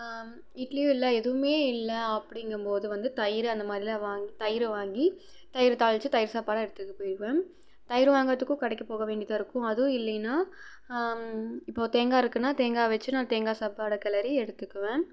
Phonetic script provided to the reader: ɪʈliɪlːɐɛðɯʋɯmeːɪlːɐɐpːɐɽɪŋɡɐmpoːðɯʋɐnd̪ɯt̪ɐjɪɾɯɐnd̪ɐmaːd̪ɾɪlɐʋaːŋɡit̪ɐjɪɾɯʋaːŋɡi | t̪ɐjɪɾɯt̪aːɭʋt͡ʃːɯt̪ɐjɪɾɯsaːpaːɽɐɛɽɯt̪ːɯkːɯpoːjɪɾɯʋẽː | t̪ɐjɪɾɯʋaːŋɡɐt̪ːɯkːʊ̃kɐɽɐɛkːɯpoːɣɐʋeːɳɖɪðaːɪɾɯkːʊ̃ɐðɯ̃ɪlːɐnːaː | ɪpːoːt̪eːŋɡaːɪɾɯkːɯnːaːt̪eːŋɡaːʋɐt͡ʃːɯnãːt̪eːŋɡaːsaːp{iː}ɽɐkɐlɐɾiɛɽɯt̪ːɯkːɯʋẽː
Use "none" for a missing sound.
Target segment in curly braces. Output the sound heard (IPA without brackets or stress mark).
aː